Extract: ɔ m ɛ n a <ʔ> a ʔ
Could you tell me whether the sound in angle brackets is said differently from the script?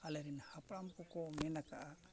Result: yes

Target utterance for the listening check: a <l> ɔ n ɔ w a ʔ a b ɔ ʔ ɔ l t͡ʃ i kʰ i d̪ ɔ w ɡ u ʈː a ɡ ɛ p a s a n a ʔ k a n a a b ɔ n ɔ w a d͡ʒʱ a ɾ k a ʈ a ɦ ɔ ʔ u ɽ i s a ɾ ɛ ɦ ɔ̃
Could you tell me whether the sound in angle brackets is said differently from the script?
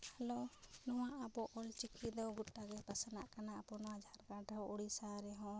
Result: no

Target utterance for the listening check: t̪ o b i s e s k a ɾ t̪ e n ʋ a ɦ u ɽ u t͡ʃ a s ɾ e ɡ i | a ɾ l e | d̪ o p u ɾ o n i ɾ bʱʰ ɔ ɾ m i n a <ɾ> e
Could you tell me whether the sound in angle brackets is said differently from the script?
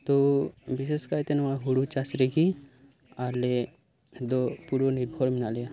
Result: yes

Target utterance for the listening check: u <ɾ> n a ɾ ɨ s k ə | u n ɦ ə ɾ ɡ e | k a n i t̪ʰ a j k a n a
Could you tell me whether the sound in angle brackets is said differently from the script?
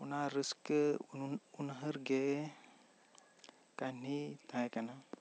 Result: yes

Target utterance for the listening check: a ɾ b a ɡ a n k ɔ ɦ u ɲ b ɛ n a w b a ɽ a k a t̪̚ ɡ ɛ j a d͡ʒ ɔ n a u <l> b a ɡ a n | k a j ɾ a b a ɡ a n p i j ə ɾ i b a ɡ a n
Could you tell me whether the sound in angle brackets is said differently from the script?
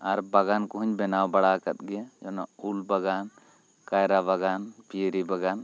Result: no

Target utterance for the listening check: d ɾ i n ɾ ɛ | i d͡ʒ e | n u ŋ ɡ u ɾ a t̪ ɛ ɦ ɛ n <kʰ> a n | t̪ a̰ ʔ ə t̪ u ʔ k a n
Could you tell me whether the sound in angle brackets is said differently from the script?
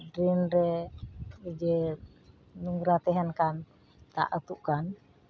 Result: yes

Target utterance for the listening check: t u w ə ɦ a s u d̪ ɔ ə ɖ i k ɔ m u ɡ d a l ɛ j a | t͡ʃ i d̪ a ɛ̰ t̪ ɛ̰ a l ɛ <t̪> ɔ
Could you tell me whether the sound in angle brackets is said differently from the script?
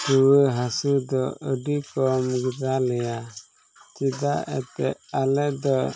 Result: yes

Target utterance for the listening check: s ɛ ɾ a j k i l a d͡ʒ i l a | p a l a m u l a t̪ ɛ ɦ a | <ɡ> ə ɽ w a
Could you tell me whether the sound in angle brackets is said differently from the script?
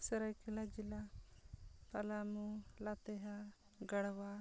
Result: no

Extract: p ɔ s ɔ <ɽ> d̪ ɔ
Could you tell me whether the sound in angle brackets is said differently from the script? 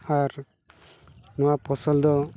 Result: yes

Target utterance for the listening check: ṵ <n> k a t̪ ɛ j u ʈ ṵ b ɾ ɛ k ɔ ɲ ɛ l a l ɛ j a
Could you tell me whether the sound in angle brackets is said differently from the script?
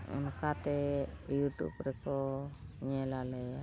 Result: no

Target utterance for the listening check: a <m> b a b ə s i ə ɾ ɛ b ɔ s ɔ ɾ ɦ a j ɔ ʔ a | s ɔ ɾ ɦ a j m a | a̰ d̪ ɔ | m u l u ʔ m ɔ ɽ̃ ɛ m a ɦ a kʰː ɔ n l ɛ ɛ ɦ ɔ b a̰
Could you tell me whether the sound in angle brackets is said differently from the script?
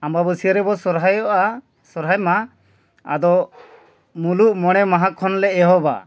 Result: no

